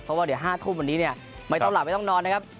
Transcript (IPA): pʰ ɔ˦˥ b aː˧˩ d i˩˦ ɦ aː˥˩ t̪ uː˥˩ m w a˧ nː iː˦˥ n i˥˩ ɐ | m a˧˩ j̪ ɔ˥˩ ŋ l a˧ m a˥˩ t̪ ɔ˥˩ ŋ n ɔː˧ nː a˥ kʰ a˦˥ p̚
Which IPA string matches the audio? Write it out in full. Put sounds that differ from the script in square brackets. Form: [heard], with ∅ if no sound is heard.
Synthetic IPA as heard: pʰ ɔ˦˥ [w] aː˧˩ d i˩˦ ɦ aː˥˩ [t̪ʰ] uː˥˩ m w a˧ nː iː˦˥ n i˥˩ ɐ | m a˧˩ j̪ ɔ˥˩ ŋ l [a˨˩] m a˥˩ t̪ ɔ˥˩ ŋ n ɔː˧ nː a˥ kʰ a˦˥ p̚